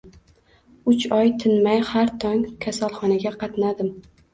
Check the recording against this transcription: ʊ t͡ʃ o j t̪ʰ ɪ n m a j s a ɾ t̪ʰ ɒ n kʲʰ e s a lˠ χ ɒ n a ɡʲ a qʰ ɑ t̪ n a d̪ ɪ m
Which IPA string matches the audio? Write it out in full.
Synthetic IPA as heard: ʊ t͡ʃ ɒ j t̪ʰ ɪ n m a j h a ɾ t̪ʰ ɒ ŋ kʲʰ a s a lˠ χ ɒ n a ɡʲ a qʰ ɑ t̪ n a d̪ ɪ m